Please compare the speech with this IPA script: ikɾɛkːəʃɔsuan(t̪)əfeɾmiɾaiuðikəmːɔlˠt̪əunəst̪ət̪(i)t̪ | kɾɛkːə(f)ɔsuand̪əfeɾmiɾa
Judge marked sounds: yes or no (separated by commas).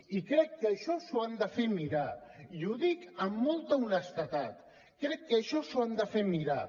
no, no, no